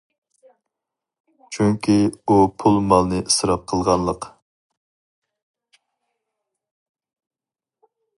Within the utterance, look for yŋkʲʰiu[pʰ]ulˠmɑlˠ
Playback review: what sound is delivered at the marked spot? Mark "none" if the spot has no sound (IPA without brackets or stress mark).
pʰ